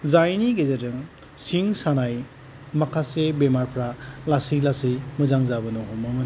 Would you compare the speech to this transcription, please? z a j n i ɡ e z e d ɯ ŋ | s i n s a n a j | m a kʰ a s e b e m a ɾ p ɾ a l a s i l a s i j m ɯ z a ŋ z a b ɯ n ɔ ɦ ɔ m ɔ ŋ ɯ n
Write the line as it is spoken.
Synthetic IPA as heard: z a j n i ɡ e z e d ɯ ŋ | s i ŋ s a n a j | m a kʰ a s e b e m a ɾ pʰ ɾ a l a s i l a s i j m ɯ z a ŋ z a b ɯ n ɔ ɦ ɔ m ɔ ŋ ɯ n